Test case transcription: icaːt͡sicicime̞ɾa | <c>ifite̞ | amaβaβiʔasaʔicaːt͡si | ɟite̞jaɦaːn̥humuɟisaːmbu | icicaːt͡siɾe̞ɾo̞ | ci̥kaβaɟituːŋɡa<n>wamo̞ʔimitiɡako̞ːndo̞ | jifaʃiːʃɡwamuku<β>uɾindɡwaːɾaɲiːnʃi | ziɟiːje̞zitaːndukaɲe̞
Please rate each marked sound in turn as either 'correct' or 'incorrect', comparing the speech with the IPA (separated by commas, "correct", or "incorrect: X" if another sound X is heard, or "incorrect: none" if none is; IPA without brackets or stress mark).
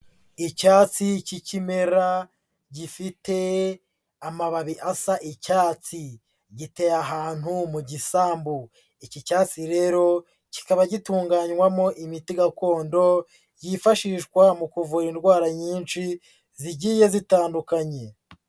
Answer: incorrect: ɟ, incorrect: ɲ, incorrect: v